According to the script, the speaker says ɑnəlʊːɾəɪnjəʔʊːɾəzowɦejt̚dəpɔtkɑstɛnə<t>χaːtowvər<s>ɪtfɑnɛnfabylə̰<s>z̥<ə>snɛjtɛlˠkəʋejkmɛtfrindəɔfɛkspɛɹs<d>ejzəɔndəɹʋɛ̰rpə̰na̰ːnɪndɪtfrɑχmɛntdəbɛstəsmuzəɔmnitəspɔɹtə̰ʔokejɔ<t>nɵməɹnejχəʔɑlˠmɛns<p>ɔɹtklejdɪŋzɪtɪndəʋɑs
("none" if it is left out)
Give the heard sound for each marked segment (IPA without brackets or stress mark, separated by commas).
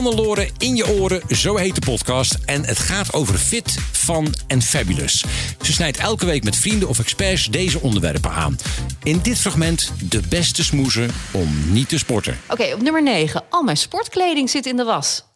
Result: t, f, s, ə, d, p, p